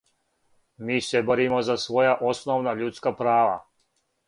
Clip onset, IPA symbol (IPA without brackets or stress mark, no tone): m